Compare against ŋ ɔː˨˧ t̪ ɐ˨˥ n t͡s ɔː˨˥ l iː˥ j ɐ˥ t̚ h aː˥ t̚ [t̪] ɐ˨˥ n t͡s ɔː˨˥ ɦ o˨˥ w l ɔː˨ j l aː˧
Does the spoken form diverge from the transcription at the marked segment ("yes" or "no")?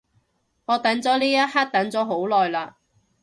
no